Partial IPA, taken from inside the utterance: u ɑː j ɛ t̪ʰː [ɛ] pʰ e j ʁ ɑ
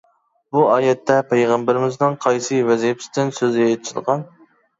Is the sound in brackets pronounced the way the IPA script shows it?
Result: yes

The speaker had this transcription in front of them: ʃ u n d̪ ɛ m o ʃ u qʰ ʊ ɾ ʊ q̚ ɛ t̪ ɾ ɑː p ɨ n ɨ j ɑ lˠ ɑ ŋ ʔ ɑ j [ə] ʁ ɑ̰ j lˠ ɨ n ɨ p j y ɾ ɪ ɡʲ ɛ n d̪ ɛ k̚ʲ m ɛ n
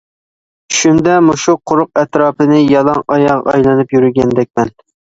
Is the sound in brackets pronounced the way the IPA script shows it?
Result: no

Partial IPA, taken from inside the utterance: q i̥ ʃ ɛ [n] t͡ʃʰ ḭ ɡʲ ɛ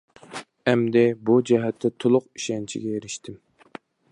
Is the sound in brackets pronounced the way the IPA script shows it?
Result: yes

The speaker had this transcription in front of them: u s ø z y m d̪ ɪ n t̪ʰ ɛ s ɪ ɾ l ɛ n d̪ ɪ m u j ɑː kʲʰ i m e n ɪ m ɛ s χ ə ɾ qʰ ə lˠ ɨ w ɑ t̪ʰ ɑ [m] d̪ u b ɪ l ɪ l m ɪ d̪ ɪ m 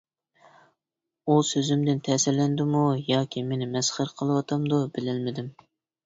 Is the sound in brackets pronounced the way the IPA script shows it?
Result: yes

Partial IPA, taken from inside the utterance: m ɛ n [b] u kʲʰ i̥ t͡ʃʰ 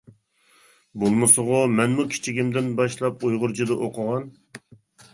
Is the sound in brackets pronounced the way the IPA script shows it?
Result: no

